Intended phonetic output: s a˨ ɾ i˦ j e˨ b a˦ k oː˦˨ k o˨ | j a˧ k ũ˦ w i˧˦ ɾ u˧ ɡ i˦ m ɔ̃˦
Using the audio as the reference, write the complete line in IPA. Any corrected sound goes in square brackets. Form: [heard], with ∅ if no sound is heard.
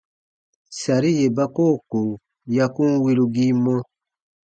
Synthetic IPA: s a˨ ɾ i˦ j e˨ b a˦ k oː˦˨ k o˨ | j a˧ k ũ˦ w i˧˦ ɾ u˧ ɡ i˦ m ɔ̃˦